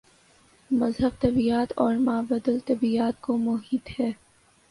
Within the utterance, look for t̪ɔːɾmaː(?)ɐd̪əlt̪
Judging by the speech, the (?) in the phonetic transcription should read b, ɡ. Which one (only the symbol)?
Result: b